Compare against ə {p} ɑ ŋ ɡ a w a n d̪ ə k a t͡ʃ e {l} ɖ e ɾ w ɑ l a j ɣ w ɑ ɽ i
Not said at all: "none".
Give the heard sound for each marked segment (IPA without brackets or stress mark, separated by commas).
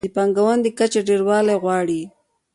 p, none